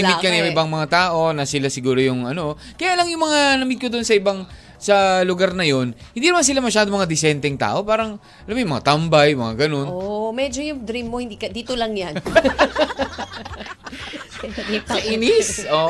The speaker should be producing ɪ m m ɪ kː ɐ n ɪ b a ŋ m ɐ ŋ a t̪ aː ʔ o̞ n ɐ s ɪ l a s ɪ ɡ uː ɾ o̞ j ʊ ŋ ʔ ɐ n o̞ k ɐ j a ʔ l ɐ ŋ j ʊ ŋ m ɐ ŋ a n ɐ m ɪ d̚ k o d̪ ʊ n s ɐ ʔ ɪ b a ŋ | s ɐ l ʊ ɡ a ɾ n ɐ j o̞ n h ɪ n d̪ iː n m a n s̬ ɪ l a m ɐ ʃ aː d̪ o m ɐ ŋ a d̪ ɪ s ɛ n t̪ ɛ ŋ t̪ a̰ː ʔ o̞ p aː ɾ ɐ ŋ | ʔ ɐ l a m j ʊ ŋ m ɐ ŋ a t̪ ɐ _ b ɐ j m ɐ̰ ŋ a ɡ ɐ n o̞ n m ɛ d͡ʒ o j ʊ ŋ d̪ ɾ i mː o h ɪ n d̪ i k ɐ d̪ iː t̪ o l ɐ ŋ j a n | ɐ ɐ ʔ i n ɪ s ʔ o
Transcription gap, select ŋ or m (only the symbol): m